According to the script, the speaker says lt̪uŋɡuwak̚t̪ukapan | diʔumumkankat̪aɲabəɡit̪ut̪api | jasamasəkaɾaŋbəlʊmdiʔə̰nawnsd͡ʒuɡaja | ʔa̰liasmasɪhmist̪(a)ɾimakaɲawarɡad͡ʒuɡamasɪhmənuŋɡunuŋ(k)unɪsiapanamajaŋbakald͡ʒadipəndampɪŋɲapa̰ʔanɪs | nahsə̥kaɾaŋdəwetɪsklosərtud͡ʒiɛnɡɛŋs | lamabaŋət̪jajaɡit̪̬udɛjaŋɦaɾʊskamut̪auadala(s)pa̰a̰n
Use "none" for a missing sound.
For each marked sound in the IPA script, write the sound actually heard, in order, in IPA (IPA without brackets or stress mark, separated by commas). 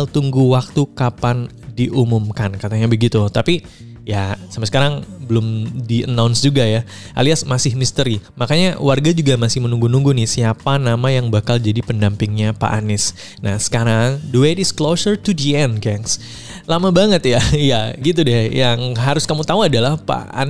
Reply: ə, ɡ, h